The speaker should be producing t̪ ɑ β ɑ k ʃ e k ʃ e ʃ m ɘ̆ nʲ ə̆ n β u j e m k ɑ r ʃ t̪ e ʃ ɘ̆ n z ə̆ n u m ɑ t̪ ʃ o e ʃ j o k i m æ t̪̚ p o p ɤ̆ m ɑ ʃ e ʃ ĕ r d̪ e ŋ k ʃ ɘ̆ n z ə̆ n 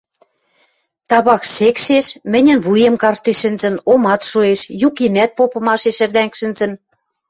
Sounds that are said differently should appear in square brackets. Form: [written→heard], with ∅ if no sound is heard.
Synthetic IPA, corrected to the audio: t̪ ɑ β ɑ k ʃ e k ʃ e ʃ m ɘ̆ nʲ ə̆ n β u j e m k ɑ r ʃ t̪ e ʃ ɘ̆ n z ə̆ n [u→o] m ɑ t̪ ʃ o e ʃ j [o→u] k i m æ t̪̚ p o p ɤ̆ m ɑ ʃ e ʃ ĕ r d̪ [e→æ] ŋ k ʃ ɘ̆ n z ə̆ n

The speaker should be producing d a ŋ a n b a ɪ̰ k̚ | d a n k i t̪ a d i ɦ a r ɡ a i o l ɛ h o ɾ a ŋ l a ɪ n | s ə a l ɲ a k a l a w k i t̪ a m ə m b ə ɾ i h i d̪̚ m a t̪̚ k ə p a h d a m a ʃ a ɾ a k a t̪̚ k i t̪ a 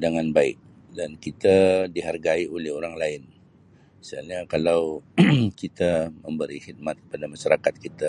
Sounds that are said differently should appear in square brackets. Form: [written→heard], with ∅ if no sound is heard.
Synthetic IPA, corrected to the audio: d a ŋ a n b a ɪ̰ k̚ | d a n k i t̪ a d i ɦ a r ɡ a i o l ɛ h o ɾ a ŋ l a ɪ n | s ə a l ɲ a k a l a w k i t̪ a m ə m b ə ɾ i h i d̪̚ m a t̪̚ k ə p a [h→∅] d a m a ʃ a ɾ a k a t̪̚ k i t̪ a

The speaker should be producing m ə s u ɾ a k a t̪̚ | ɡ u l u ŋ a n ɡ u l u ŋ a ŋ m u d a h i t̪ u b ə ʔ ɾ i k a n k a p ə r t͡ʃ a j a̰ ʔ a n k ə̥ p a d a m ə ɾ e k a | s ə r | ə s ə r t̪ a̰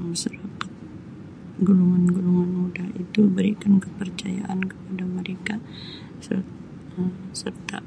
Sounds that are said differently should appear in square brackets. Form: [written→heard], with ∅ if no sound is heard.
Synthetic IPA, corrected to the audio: m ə s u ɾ a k a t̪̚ | ɡ u l u ŋ a n ɡ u l u ŋ a [ŋ→n] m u d a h i t̪ u b ə [ʔ→∅] ɾ i k a n k [a→ə] p ə r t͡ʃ a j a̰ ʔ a n k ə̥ p a d a m ə ɾ e k a | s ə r | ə s ə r t̪ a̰

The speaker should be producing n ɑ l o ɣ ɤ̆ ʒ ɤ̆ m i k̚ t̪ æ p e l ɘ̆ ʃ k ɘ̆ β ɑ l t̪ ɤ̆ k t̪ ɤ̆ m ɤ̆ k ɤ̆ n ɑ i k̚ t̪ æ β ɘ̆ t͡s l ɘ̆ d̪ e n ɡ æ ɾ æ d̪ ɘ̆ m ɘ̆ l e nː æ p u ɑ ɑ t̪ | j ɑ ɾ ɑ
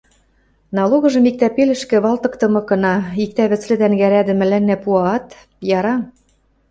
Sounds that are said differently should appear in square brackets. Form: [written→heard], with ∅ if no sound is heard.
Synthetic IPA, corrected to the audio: n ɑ l o ɣ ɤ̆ ʒ ɤ̆ m i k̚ t̪ æ p e l ɘ̆ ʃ k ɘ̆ β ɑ l t̪ ɤ̆ k t̪ ɤ̆ m ɤ̆ k ɤ̆ n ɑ i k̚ t̪ æ β ɘ̆ t͡s l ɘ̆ d̪ [e→æ] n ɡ æ ɾ æ d̪ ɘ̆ m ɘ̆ l [e→æ] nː æ p u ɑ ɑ t̪ | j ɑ ɾ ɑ

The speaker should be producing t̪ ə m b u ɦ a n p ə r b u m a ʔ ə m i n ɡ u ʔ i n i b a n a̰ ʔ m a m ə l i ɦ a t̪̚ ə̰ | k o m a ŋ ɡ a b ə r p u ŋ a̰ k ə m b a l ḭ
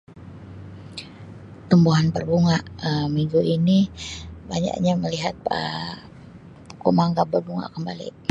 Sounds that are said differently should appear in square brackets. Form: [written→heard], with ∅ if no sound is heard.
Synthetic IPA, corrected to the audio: t̪ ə m b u ɦ a n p ə r b u [m→ŋ] a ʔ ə m i [n→ŋ] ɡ u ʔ i n i b a [n→ɲ] a̰ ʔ [m→ɲ] a m ə l i ɦ a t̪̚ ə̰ | k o m a ŋ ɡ a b ə r [p→b] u ŋ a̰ k ə m b a l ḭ

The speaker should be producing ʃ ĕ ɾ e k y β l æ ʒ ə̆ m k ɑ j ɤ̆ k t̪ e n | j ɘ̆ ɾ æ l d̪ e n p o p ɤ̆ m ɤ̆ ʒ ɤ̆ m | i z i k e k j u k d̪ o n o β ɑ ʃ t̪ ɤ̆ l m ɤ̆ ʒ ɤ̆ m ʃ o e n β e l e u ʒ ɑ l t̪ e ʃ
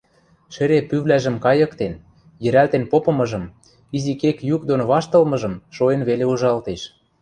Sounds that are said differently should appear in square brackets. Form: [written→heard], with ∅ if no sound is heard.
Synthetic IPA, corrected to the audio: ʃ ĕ ɾ e [k→p] y β l æ ʒ ə̆ m k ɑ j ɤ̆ k t̪ e n | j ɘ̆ ɾ æ l [d̪→t̪] e n p o p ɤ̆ m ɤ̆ ʒ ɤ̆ m | i z i k e k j u k d̪ o n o β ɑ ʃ t̪ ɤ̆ l m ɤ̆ ʒ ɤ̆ m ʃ o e n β e l e u ʒ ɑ l t̪ e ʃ

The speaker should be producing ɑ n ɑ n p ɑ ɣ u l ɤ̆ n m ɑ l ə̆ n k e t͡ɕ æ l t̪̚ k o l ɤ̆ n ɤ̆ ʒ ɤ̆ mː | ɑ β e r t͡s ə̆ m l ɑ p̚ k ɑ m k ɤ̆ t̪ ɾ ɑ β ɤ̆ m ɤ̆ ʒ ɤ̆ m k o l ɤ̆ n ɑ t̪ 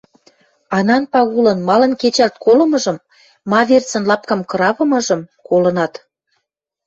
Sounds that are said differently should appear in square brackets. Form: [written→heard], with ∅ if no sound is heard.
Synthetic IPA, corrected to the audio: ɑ n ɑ n p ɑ ɣ u l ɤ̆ n m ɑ l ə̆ n k e t͡ɕ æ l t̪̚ k o l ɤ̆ [n→m] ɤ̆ ʒ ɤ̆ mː | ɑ β e r t͡s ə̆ [m→n] l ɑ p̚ k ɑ m k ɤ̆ [t̪→∅] ɾ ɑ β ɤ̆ m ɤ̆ ʒ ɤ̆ m k o l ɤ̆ n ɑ t̪

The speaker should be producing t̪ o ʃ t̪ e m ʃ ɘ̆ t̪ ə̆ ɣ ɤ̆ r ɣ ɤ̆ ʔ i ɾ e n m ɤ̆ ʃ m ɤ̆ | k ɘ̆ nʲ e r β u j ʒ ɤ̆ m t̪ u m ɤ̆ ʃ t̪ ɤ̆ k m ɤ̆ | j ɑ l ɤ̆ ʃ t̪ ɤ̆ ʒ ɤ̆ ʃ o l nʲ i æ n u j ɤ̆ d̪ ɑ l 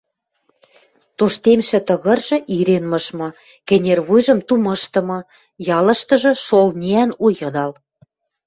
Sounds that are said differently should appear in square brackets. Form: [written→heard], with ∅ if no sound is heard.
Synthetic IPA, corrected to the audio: t̪ o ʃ t̪ e m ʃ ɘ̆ t̪ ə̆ ɣ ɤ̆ r [ɣ→ʒ] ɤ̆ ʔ i ɾ e n m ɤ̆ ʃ m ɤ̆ | k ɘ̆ nʲ e r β u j ʒ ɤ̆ m t̪ u m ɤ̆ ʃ t̪ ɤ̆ [k→∅] m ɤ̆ | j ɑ l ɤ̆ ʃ t̪ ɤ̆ ʒ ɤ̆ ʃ o l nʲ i æ n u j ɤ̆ d̪ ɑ l

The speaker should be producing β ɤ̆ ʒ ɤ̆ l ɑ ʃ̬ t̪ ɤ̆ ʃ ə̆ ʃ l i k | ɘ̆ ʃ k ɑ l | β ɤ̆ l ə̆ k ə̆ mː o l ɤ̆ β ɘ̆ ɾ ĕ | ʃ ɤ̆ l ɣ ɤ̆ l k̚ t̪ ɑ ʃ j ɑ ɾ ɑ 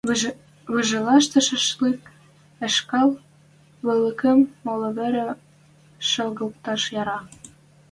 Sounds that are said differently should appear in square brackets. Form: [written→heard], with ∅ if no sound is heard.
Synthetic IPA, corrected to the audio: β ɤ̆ ʒ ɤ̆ l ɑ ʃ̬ t̪ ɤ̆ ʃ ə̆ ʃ l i k | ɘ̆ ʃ k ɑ l | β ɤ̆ l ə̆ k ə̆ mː o l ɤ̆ β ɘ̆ ɾ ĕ | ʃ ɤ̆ l ɣ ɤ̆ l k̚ t̪ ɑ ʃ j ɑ ɾ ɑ

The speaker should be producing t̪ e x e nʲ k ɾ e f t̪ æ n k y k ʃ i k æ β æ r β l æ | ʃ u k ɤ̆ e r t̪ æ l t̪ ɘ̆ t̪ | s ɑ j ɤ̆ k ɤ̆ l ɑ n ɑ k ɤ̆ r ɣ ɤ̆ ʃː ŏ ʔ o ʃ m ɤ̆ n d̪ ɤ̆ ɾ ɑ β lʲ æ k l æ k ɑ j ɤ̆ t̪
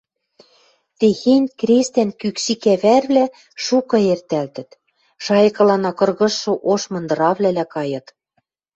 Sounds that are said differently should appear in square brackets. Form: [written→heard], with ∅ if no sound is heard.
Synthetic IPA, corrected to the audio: t̪ e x e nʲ k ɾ e [f→s] t̪ æ n k y k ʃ i k æ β æ r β l æ | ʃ u k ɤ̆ e r t̪ æ l t̪ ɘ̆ t̪ | [s→ʃ] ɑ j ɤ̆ k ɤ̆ l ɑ n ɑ k ɤ̆ r ɣ ɤ̆ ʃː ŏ ʔ o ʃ m ɤ̆ n d̪ ɤ̆ ɾ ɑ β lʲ æ [k→∅] l æ k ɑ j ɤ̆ t̪

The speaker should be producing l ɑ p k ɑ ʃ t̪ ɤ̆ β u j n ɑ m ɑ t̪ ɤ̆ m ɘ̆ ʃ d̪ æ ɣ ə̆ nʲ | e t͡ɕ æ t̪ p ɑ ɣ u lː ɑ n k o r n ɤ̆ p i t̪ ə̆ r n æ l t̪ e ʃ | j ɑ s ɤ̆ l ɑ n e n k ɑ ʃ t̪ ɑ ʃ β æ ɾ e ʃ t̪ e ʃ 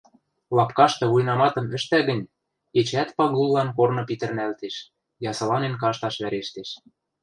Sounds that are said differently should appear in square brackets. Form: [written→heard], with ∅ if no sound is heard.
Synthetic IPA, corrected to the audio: l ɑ p k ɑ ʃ t̪ ɤ̆ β u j n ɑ m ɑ t̪ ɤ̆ m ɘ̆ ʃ [d̪→t̪] æ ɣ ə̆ nʲ | e t͡ɕ æ t̪ p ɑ ɣ u lː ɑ n k o r n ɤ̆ p i t̪ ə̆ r n æ l t̪ e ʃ | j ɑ s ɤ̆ l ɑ n e n k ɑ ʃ t̪ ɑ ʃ β æ ɾ e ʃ t̪ e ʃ

